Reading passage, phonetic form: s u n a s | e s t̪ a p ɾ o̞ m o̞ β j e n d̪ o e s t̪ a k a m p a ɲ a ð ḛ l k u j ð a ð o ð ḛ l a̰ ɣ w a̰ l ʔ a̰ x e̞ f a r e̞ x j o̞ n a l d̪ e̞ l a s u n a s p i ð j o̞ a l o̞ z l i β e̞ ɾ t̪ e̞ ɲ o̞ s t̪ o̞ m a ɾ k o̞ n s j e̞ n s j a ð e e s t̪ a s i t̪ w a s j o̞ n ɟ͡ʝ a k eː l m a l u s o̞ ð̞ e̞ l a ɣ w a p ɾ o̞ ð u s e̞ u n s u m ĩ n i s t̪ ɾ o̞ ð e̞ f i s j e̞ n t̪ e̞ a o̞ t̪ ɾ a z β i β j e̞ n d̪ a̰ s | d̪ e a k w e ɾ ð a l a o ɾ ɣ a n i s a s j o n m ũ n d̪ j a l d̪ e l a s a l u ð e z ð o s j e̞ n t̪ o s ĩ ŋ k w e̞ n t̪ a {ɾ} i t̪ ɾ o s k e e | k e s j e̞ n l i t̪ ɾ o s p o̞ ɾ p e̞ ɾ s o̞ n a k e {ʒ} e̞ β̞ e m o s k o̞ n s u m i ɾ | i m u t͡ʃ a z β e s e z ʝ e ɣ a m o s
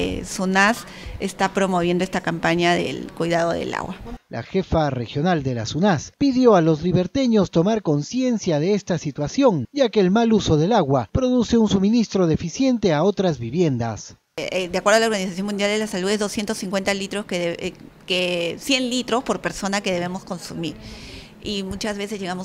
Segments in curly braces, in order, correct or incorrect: incorrect: l, incorrect: ð

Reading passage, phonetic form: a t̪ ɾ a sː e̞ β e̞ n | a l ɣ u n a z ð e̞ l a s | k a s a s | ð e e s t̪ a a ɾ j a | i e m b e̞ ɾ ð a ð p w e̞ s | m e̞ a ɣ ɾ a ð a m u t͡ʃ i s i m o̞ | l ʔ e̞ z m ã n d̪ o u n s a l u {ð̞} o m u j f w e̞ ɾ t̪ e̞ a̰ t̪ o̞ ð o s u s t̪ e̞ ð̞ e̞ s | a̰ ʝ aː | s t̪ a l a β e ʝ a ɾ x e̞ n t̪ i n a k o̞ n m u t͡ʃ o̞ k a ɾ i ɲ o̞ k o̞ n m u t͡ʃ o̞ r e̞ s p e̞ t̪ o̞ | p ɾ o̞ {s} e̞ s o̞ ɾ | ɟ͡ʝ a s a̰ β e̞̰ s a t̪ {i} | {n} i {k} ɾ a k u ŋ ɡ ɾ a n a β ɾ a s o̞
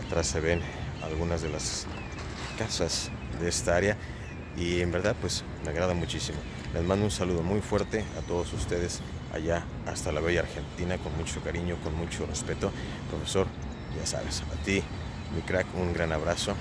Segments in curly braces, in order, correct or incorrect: correct, incorrect: f, correct, incorrect: m, correct

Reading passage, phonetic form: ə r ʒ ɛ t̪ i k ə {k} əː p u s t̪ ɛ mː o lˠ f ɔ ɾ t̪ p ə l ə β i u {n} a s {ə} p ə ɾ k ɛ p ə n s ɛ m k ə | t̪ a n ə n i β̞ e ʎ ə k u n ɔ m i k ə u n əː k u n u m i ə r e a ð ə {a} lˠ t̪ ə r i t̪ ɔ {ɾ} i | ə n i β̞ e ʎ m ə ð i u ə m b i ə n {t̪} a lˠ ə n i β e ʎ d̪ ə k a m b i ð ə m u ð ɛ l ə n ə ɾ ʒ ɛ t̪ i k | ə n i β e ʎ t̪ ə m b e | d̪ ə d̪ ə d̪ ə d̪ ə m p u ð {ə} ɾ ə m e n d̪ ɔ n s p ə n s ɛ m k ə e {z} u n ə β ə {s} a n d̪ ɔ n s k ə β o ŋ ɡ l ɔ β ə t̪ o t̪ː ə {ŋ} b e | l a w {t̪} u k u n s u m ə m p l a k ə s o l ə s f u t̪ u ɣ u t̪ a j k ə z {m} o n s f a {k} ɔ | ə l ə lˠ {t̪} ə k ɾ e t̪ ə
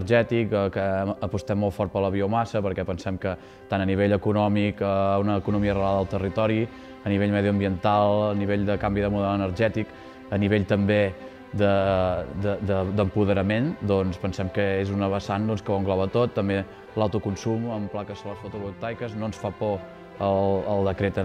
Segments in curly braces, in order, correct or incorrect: correct, incorrect: m, correct, incorrect: ə, correct, correct, correct, correct, correct, incorrect: m, correct, incorrect: n, incorrect: p, incorrect: d̪

